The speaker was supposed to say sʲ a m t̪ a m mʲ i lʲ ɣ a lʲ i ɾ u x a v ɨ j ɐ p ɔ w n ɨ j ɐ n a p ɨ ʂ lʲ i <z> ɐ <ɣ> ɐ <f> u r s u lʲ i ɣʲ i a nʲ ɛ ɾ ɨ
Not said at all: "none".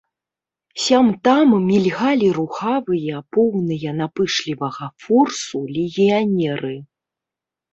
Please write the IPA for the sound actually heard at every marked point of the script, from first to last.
v, ɣ, f

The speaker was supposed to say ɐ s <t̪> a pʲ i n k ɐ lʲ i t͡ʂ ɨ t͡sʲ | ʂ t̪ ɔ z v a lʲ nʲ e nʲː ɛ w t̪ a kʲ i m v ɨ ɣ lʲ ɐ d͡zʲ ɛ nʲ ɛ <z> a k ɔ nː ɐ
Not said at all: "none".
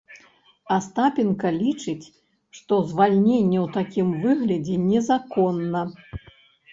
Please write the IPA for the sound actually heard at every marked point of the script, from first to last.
t̪, z

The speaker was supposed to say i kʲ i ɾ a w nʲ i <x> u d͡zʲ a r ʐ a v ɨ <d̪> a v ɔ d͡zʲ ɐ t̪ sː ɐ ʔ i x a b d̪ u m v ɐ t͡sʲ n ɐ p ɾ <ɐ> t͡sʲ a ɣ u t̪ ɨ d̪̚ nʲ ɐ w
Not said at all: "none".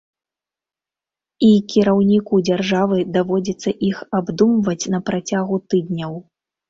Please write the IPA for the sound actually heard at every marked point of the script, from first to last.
k, d̪, a

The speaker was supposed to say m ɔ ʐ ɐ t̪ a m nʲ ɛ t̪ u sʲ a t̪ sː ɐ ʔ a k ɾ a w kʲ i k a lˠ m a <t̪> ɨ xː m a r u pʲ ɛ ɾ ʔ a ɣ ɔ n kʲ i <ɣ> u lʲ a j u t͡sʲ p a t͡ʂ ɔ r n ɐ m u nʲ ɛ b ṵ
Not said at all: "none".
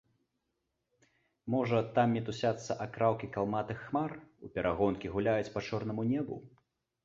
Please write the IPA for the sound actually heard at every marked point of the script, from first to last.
t̪, ɣ

